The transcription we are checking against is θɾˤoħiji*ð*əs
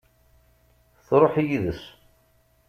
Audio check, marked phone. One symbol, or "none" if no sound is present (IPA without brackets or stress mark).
ð